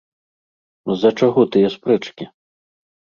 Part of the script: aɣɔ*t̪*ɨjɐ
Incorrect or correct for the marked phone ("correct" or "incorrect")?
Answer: correct